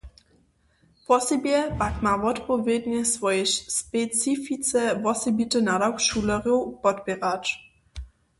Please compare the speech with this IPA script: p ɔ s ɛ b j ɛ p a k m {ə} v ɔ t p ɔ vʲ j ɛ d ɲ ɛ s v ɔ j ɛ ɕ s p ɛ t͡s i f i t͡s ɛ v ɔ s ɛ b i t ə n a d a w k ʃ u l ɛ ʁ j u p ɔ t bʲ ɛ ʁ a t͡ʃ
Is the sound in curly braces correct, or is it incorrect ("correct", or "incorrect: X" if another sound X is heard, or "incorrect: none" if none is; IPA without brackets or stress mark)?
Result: incorrect: a